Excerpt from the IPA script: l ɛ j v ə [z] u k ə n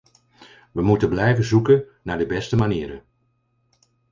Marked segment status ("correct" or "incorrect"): correct